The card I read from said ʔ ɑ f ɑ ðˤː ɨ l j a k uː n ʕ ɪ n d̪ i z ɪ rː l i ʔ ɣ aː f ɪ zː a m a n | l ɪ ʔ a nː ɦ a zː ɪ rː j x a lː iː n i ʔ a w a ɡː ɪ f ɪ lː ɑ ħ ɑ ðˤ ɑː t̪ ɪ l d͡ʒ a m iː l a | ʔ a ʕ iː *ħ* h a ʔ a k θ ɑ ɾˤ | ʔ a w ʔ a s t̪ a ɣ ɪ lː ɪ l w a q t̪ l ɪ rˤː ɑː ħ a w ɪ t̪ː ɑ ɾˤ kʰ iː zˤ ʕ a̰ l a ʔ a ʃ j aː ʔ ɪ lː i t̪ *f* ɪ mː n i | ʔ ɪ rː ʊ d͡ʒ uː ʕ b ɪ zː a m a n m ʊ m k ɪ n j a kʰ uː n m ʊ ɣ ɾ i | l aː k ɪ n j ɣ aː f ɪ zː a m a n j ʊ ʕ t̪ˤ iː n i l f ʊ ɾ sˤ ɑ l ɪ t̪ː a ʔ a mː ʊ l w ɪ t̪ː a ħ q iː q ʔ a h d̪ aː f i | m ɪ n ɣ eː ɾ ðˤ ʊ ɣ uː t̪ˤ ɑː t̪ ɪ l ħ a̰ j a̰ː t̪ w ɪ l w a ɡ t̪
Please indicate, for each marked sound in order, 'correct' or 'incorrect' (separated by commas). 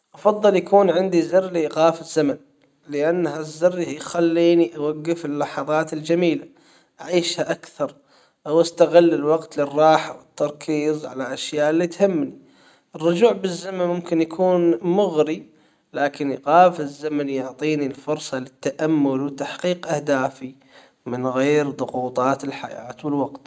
incorrect, incorrect